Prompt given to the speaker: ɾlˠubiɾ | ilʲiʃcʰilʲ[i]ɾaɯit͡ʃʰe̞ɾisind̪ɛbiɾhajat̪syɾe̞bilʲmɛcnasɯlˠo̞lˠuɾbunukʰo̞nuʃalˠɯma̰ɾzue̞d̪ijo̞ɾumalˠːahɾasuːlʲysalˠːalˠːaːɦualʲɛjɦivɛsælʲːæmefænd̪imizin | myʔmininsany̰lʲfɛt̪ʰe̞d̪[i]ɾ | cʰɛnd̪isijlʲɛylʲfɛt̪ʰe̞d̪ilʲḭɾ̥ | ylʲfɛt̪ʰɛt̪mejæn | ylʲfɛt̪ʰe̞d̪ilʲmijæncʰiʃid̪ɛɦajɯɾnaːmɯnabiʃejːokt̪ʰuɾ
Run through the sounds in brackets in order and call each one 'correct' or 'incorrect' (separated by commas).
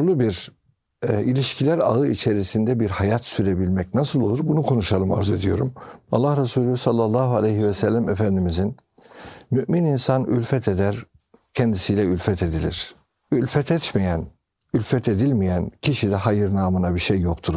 incorrect, incorrect